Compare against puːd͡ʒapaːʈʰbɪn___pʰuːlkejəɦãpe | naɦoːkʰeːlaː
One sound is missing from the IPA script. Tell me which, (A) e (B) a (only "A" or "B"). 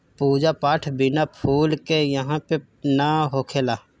B